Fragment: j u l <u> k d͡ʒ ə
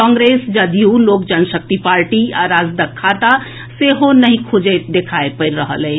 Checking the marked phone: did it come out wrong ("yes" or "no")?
yes